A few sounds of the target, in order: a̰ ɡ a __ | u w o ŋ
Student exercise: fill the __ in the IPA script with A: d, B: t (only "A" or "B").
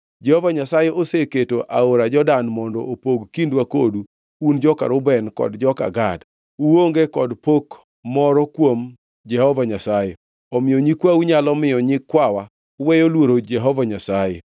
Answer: A